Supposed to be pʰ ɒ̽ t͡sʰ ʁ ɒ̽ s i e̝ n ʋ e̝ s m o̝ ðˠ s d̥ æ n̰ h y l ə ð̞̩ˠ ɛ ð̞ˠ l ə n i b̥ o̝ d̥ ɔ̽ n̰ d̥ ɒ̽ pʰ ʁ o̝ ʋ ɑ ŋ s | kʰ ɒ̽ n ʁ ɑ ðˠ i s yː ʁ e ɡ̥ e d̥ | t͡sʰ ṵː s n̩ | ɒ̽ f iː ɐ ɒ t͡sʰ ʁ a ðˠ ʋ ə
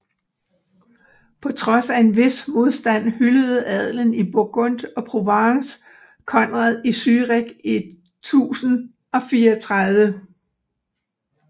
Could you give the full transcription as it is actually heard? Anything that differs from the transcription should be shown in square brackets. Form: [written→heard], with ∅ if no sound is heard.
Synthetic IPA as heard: pʰ ɒ̽ t͡sʰ ʁ ɒ̽ s [i→æ] e̝ n ʋ e̝ s m o̝ ðˠ s d̥ æ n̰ h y l ə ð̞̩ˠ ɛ ð̞ˠ l ə n i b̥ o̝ [d̥→ɡ̥] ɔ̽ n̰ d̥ ɒ̽ pʰ ʁ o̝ ʋ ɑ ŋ s | kʰ ɒ̽ n ʁ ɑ ðˠ i s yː ʁ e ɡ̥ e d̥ | t͡sʰ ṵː s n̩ | ɒ̽ f iː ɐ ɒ t͡sʰ ʁ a ðˠ ʋ ə